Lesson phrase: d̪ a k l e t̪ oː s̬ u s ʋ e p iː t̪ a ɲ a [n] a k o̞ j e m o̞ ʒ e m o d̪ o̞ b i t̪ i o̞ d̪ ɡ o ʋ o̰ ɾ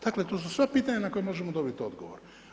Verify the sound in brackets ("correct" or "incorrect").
correct